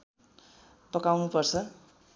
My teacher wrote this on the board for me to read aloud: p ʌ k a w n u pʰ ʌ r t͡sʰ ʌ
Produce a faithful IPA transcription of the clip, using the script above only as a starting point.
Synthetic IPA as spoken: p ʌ k a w n u p ʌ r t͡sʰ ʌ